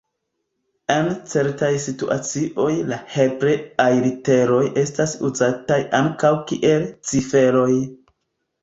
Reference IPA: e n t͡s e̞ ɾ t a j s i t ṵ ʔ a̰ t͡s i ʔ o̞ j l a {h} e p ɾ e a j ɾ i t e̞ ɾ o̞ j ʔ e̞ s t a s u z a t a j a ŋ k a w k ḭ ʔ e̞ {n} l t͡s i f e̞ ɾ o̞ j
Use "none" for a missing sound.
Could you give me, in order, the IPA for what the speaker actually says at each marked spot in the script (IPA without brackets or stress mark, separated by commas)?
h, none